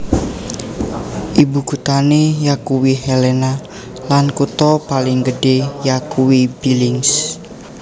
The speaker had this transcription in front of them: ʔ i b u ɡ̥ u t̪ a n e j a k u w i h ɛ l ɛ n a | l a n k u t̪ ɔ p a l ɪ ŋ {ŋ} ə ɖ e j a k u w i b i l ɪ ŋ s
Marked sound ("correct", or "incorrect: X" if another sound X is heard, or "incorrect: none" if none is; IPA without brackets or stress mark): incorrect: ɡ